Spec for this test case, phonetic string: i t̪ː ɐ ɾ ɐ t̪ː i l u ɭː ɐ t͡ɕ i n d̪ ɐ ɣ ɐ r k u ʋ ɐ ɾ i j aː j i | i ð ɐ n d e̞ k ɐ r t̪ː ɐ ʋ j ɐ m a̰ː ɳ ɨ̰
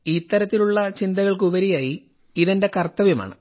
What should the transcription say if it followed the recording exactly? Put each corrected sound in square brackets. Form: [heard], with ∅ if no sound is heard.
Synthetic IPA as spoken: i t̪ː ɐ ɾ ɐ t̪ː i l u ɭː ɐ t͡ɕ i n d̪ ɐ ɣ ɐ [ɭ] k u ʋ ɐ ɾ i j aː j i | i ð ɐ n d e̞ k ɐ r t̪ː ɐ ʋ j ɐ m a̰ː ɳ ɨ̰